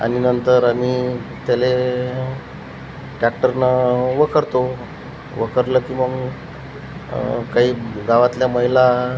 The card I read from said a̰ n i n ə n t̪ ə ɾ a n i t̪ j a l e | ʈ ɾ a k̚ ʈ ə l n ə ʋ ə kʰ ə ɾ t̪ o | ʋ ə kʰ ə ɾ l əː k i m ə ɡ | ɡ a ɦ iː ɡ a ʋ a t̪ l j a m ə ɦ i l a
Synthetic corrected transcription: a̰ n i n ə n t̪ ə ɾ a m i t̪ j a l e | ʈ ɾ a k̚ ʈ ə ɾ n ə ʋ ə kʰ ə ɾ t̪ o | ʋ ə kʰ ə ɾ l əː k i m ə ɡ | k a ɦ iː ɡ a ʋ a t̪ l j a m ə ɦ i l a

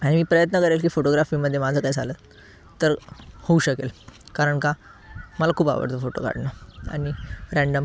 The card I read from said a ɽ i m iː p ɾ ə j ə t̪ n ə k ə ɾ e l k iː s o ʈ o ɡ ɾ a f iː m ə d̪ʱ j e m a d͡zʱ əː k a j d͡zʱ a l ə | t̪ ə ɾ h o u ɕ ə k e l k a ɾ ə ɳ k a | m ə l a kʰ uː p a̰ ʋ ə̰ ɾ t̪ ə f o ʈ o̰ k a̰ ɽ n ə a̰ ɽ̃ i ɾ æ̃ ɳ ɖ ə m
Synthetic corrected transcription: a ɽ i m iː p ɾ ə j ə t̪ n ə k ə ɾ e l k iː f o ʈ o ɡ ɾ a f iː m ə d̪ʱ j e m a d͡zʱ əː k a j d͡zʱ a l ə | t̪ ə ɾ h o u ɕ ə k e l k a ɾ ə ɳ k a | m ə l a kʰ uː p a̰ ʋ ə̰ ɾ t̪ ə f o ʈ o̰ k a̰ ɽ n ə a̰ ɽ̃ i ɾ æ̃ ɳ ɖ ə m

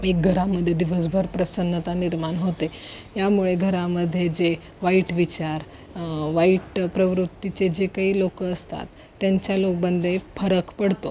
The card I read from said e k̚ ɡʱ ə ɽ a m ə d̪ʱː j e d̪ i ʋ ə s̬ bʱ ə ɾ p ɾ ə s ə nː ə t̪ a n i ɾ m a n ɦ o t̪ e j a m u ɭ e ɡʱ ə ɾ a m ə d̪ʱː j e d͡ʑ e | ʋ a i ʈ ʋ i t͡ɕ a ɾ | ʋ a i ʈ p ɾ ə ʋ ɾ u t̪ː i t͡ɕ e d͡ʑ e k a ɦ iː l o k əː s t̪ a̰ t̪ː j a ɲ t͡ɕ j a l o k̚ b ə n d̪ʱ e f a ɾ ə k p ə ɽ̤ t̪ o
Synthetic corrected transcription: e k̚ ɡʱ ə ɾ a m ə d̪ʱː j e d̪ i ʋ ə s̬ bʱ ə ɾ p ɾ ə s ə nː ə t̪ a n i ɾ m a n ɦ o t̪ e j a m u ɭ e ɡʱ ə ɾ a m ə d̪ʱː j e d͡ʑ e | ʋ a i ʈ ʋ i t͡ɕ a ɾ | ʋ a i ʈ p ɾ ə ʋ ɾ u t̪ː i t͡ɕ e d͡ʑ e k a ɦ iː l o k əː s t̪ a̰ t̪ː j a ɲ t͡ɕ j a l o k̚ b ə n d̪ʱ e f ə ɾ ə k p ə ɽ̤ t̪ o

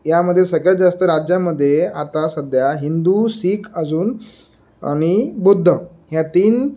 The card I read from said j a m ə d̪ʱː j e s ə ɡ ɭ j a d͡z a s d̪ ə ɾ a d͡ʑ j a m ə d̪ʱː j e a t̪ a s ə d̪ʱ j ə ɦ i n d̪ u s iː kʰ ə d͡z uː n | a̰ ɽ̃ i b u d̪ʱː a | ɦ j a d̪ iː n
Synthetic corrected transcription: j a m ə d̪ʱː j e s ə ɡ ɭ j a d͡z a s t̪ ə ɾ a d͡ʑ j a m ə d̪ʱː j e a t̪ a s ə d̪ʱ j a ɦ i n d̪ u s iː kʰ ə d͡z uː n | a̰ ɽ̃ i b u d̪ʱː ə | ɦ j a t̪ iː n

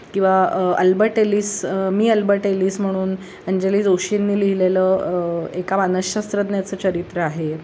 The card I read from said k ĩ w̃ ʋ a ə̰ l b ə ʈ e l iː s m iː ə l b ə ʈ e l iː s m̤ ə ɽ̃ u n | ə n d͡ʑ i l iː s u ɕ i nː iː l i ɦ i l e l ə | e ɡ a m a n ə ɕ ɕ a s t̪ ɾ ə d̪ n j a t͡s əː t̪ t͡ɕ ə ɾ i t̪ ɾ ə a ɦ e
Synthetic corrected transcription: k ĩ w̃ ʋ a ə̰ l b ə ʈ e l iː s m iː ə l b ə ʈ e l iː s m̤ ə ɽ̃ uː n | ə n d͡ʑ e l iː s o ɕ i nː iː l i ɦ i l e l ə | e k a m a n ə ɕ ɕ a s t̪ ɾ ə d̪ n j a t͡s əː t͡ɕ ə ɾ i t̪ ɾ ə a ɦ e

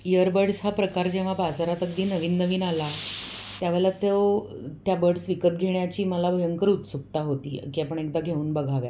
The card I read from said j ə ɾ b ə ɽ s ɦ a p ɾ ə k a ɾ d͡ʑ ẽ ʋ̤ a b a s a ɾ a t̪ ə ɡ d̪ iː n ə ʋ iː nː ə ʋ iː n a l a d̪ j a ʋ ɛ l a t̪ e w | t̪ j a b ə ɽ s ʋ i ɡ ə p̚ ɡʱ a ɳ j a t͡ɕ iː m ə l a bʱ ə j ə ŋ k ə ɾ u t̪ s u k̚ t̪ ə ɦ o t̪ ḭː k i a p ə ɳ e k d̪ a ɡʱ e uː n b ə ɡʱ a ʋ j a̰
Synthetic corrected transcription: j ə ɾ b ə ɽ s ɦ a p ɾ ə k a ɾ d͡ʑ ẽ ʋ̤ a b a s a ɾ a t̪ ə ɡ d̪ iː n ə ʋ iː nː ə ʋ iː n a l a t̪ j a ʋ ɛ l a t̪ e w | t̪ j a b ə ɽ s ʋ i k ə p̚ ɡʱ e ɳ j a t͡ɕ iː m ə l a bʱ ə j ə ŋ k ə ɾ u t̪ s u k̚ t̪ a ɦ o t̪ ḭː k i a p ə ɳ e k d̪ a ɡʱ e uː n b ə ɡʱ a ʋ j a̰

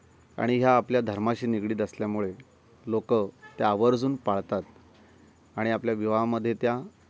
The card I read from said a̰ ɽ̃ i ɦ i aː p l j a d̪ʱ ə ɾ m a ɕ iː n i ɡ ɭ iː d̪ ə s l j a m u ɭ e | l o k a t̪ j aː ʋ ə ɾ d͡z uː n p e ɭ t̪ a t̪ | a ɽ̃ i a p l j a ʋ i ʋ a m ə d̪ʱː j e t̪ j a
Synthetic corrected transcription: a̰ ɽ̃ i ɦ j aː p l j a d̪ʱ ə ɾ m a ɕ iː n i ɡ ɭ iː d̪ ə s l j a m u ɭ e | l o k ə t̪ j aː ʋ ə ɾ d͡z uː n p a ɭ t̪ a t̪ | a ɽ̃ i a p l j a ʋ i ʋ a m ə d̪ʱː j e t̪ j a

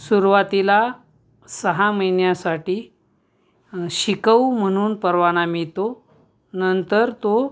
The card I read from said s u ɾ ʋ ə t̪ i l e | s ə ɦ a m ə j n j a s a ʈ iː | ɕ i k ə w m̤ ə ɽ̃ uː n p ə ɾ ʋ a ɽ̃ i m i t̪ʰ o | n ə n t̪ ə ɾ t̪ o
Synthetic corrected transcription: s u ɾ ʋ a t̪ i l a | s ə ɦ a m ə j n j a s a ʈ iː | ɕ i k ə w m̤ ə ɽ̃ uː n p ə ɾ ʋ a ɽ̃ a m i t̪ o | n ə n t̪ ə ɾ t̪ o

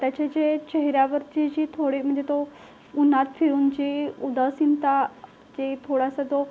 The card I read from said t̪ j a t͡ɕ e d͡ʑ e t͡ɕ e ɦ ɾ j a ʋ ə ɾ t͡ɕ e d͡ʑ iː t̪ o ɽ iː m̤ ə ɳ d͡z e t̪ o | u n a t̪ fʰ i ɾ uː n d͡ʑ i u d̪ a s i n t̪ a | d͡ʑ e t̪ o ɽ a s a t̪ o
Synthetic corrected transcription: t̪ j a t͡ɕ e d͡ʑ e t͡ɕ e ɦ ɾ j a ʋ ə ɾ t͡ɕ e d͡ʑ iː t̪ʰ o ɽ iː m̤ ə ɳ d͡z e t̪ o | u n a t̪ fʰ i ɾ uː n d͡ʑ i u d̪ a s i n t̪ a | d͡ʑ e t̪ʰ o ɽ a s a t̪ o

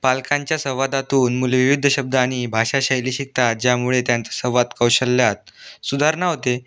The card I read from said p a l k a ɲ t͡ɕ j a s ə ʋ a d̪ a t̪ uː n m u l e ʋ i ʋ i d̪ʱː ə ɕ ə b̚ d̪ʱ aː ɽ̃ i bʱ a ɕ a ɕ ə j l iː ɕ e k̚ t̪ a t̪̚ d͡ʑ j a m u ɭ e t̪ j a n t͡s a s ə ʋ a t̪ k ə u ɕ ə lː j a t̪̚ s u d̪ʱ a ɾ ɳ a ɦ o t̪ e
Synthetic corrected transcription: p a l k a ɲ t͡ɕ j a s ə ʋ a d̪ a t̪ uː n m u l e ʋ i ʋ i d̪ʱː ə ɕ ə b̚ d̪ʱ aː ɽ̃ i bʱ a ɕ a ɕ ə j l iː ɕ i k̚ t̪ a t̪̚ d͡ʑ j a m u ɭ e t̪ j a n t͡s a s ə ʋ a t̪ k ə w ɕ ə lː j a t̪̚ s u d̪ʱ a ɾ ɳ a ɦ o t̪ e

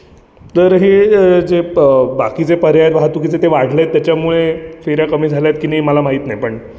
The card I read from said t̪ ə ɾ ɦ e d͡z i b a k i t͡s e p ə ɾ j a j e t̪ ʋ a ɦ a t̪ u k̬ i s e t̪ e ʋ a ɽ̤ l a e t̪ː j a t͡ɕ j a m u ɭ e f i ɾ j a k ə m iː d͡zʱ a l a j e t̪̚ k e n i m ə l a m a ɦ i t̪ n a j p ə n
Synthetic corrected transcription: t̪ ə ɾ ɦ e d͡z e b a k i t͡s e p ə ɾ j a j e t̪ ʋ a ɦ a t̪ u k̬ i t͡s e t̪ e ʋ a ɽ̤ l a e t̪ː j a t͡ɕ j a m u ɭ e f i ɾ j a k ə m iː d͡zʱ a l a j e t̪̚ k i n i m ə l a m a ɦ i t̪ n a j p ə ɳ

